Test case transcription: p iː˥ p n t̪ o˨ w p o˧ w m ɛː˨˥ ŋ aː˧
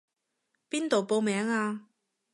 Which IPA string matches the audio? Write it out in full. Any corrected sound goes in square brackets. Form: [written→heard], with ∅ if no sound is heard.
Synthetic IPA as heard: p iː˥ [p→∅] n t̪ o˨ w p o˧ w m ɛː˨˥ ŋ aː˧